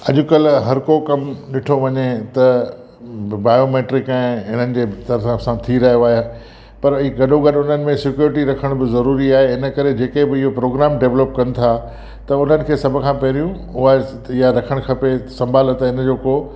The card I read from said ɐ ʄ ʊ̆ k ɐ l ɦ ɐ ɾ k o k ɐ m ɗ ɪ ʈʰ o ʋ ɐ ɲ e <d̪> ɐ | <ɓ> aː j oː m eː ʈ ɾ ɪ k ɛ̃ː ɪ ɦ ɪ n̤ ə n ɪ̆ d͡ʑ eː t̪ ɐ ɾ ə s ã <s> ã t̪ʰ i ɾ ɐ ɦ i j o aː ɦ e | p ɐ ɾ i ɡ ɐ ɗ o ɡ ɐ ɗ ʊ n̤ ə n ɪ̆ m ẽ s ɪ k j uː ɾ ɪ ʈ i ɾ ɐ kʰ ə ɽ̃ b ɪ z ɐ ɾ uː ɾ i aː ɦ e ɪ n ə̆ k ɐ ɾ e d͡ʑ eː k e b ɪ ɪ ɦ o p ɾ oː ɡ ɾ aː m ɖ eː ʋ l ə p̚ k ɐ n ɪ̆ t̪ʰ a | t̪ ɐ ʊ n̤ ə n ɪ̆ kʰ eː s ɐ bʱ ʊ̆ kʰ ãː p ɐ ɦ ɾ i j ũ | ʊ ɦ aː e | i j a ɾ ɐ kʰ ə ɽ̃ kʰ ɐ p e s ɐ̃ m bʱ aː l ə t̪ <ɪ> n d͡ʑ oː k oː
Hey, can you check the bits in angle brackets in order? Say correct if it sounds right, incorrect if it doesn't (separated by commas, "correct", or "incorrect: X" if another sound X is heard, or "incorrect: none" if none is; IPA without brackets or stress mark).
incorrect: t̪, incorrect: b, correct, correct